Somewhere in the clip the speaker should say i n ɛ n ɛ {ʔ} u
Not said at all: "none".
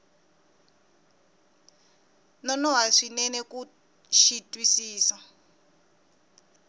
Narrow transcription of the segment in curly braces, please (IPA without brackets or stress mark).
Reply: k